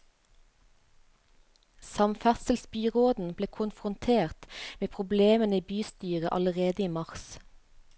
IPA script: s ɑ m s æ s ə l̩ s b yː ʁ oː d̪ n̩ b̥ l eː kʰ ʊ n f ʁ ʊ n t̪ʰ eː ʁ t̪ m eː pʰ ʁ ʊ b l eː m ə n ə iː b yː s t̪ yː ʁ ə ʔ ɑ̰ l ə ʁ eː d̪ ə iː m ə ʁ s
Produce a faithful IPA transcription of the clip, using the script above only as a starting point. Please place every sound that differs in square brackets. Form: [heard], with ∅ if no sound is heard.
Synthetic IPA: s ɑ m [f] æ s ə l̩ s b yː ʁ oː d̪ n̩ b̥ l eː kʰ ʊ n f ʁ ʊ n t̪ʰ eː ʁ t̪ m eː pʰ ʁ ʊ b l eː m ə n ə iː b yː s t̪ yː ʁ ə ʔ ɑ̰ l ə ʁ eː d̪ ə iː m [ɑ] ʁ s